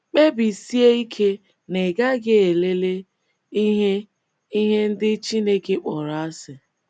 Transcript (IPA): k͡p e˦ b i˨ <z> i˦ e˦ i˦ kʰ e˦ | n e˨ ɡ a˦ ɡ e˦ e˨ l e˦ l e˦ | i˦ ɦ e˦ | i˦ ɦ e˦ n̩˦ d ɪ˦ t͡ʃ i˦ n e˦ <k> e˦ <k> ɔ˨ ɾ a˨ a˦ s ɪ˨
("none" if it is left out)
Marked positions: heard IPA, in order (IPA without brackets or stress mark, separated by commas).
s, k, k͡p